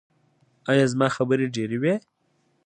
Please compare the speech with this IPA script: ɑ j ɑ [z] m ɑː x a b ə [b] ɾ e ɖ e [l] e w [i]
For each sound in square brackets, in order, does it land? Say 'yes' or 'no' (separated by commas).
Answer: yes, no, no, no